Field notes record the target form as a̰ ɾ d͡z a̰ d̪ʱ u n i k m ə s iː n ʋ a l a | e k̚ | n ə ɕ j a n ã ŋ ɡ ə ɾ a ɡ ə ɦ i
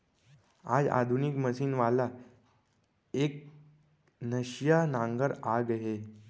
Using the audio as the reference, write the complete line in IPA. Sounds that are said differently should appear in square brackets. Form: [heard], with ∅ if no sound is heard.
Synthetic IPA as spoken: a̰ [∅] d͡z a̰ d̪ʱ u n i k m ə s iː n ʋ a l a | e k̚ | n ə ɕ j a n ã ŋ ɡ ə ɾ a ɡ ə ɦ [e]